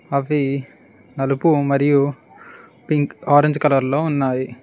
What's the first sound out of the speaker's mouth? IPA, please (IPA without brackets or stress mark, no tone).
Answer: ɐ